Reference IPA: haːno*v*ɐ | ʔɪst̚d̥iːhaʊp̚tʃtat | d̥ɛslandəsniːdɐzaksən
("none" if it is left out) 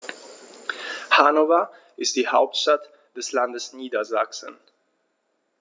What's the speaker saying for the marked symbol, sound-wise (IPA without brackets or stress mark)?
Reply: v